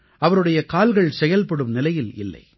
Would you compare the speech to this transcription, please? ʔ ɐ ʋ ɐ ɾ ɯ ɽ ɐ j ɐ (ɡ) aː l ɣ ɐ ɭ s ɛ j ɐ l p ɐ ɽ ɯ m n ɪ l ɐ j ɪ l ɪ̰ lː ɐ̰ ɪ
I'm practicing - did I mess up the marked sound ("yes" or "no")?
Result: yes